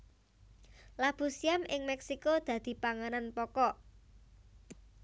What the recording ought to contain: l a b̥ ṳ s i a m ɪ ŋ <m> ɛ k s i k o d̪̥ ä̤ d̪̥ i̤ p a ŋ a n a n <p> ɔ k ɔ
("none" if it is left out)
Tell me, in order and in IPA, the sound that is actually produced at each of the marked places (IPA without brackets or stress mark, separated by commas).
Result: m, p